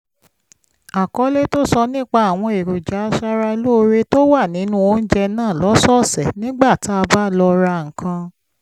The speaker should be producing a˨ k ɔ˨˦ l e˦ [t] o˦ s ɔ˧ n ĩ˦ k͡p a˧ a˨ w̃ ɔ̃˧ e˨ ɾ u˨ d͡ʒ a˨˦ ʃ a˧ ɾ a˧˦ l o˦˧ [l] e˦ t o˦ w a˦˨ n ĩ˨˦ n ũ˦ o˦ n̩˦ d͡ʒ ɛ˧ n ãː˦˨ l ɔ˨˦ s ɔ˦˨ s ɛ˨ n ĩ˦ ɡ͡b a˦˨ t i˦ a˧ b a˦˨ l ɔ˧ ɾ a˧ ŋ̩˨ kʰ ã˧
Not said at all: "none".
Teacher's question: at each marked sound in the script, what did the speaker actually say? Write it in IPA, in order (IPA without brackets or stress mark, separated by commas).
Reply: t, ɾ